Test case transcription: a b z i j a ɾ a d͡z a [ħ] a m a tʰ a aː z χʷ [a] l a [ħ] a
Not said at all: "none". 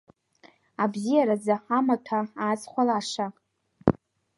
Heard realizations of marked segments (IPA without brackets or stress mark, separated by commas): ħ, a, ʂ